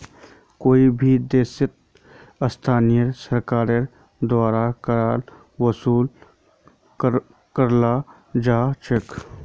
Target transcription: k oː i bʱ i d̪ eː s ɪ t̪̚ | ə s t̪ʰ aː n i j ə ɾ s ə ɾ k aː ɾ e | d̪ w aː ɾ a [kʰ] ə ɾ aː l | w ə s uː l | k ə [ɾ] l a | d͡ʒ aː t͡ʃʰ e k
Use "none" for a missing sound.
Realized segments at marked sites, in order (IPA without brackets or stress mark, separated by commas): k, ɾ